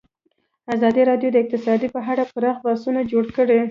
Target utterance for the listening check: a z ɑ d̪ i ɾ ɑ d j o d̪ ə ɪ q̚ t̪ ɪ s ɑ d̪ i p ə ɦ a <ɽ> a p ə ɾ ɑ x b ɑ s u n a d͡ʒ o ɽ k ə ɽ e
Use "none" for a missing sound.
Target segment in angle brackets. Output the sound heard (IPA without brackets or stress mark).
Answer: ɽ